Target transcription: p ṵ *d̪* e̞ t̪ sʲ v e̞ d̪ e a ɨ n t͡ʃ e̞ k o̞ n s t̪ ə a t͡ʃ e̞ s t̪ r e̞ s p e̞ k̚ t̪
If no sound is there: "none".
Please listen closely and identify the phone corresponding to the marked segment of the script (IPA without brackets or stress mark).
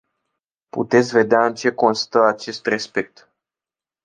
t̪